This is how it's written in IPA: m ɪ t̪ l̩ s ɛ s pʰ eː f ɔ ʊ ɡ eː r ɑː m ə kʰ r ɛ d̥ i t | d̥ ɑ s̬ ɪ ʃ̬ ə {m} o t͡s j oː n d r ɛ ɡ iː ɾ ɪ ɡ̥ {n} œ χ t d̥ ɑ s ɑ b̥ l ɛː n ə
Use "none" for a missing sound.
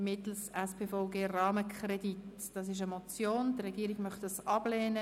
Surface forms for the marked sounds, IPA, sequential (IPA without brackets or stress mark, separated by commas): m, m